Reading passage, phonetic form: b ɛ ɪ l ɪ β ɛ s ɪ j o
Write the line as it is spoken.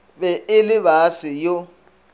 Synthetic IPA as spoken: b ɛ ɪ l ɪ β a s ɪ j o

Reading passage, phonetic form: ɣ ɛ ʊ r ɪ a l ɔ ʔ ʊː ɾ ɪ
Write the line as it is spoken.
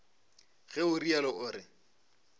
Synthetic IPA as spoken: ɣ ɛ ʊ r i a l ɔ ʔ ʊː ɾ ɪ

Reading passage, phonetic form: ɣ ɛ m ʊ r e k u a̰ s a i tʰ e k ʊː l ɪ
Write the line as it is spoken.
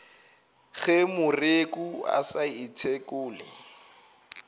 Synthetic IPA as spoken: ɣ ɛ m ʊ r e k u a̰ s a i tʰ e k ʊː l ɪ

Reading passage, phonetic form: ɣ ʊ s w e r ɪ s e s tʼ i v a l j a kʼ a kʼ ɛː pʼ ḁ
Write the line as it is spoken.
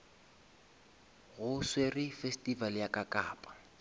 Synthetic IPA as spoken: ɣ ʊ s w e r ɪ f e s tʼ i v a l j a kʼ a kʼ aː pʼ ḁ

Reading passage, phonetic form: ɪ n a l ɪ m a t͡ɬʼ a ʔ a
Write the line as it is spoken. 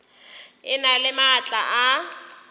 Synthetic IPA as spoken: ɪ n a l ɪ m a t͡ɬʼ a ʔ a

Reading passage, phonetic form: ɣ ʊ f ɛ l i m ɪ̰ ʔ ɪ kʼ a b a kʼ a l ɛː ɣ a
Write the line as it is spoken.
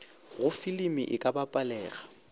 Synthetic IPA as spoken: ɣ ʊ f i l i m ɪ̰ ʔ ɪ kʼ a b a pʼ a l ɛː ɣ a

